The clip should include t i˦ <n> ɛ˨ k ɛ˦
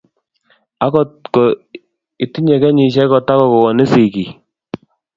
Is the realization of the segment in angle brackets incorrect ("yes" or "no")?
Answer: yes